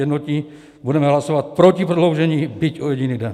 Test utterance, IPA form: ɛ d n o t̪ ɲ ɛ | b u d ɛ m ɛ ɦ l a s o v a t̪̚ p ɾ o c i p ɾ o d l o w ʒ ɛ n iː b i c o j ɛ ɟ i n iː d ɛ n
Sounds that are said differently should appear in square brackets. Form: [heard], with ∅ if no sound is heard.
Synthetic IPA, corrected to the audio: ɛ d n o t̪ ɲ [i] | b u d ɛ m ɛ ɦ l a s o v a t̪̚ p ɾ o c i p ɾ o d l o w ʒ ɛ [ɲ] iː b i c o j ɛ ɟ i n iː d ɛ n